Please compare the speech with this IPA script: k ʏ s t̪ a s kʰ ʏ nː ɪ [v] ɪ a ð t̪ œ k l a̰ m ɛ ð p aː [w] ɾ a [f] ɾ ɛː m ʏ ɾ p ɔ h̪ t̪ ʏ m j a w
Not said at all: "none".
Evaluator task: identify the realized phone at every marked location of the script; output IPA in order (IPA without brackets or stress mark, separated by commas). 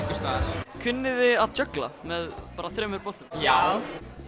ð, none, θ